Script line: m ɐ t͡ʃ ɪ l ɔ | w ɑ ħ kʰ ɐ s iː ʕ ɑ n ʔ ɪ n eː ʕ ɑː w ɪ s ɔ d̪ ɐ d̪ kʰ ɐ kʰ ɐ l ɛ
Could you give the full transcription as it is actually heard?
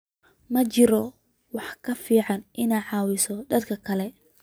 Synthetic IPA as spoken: m ɐ t͡ʃ ɪ ɾ ɔ | w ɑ ħ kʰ ɐ f iː ʕ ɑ n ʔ ɪ n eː ʕ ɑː w ɪ s ɔ d̪ ɐ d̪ kʰ ɐ kʰ ɐ l ɛ